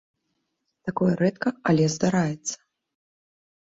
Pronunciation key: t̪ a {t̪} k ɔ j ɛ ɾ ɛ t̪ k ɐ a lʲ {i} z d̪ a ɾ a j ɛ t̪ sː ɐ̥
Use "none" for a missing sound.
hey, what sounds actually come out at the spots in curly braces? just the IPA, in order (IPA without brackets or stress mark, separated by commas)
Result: none, ɛ